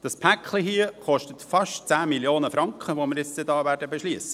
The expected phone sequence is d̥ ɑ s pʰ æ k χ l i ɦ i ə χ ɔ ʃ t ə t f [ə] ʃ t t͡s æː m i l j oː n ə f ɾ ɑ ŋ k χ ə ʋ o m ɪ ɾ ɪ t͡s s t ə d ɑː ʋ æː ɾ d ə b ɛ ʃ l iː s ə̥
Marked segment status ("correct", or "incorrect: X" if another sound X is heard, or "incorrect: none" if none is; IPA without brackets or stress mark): incorrect: ɑ